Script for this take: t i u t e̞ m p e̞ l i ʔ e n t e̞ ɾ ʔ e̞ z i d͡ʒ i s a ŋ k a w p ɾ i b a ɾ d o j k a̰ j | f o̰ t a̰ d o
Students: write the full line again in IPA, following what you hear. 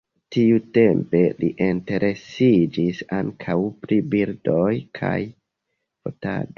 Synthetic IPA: t i u t e̞ m p e̞ l i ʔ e n t e̞ ɾ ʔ e̞ s i d͡ʒ i s a ŋ kʰ a w p ɾ i b i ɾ d o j kʰ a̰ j | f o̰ t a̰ d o